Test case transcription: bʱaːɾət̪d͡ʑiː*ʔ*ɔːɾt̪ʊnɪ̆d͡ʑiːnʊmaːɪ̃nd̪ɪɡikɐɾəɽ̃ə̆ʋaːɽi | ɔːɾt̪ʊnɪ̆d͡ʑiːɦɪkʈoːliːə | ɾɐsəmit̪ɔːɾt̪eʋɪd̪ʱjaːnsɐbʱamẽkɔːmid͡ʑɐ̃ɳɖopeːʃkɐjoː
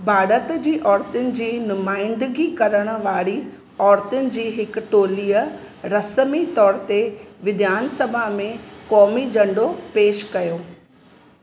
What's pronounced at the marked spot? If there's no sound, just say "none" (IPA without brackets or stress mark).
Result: ʔ